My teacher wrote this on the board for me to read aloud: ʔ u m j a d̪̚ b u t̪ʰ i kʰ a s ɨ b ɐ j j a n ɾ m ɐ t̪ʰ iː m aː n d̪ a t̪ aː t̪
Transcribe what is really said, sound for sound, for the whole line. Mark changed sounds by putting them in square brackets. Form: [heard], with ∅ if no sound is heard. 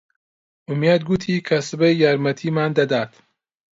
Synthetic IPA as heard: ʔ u m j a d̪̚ [ɡ] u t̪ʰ i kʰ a s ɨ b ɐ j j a [∅] ɾ m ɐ t̪ʰ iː m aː n d̪ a [d̪] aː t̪

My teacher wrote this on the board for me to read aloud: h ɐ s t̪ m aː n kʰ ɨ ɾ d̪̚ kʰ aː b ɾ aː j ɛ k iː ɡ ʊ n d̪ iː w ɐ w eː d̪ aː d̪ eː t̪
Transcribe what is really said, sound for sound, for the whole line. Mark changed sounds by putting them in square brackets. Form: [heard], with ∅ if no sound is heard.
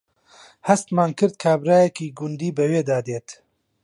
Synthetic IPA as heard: h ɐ s t̪ m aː n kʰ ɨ ɾ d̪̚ kʰ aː b ɾ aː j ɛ k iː ɡ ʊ n d̪ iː [b] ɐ w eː d̪ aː d̪ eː t̪

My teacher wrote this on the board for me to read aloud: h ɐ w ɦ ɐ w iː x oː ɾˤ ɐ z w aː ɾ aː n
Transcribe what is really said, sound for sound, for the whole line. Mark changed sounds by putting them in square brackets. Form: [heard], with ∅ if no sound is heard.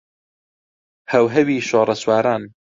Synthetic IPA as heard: h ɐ w ɦ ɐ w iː [ʃ] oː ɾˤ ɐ [s] w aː ɾ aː n

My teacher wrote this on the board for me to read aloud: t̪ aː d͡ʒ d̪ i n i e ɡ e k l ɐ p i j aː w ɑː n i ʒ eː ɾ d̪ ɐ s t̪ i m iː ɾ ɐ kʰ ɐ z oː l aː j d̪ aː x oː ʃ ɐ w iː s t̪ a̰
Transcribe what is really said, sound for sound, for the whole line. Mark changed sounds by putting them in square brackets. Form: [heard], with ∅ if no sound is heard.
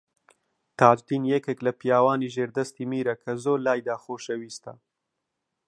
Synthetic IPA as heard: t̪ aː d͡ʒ d̪ i n [j] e [k] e k l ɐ p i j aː w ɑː n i ʒ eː ɾ d̪ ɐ s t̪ i m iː ɾ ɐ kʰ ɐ z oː l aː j d̪ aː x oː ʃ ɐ w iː s t̪ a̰

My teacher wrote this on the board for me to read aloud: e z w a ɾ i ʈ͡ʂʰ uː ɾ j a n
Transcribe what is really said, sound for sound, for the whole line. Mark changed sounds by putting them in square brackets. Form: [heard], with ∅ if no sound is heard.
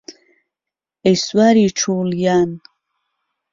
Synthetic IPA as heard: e [s] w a ɾ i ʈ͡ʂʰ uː [l] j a n

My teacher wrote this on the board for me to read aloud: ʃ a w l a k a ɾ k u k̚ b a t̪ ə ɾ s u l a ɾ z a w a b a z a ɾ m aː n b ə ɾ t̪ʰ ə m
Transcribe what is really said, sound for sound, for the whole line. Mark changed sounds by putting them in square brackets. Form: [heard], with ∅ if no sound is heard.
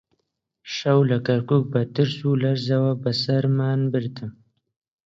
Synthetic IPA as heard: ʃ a w l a k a ɾ k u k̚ b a t̪ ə ɾ s u l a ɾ z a w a b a [s] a ɾ m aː n b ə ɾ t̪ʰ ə m

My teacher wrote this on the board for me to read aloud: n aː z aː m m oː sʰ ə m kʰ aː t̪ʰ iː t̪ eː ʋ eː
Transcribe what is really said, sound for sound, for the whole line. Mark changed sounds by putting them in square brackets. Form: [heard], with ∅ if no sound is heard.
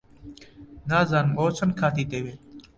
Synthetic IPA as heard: n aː z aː [n] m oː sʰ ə [n] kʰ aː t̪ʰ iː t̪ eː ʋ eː

